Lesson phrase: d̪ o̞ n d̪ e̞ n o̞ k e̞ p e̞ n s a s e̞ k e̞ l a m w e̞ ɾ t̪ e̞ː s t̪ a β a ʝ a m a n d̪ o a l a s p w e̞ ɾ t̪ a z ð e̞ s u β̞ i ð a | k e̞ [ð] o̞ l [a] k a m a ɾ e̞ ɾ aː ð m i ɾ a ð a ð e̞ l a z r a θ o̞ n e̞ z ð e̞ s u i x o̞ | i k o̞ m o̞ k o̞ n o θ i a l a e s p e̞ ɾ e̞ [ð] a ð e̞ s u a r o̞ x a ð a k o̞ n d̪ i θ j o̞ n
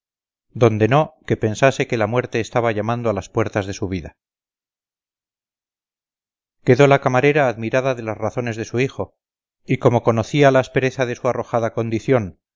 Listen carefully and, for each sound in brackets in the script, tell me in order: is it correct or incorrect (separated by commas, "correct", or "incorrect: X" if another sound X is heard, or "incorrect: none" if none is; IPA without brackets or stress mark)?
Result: correct, correct, incorrect: θ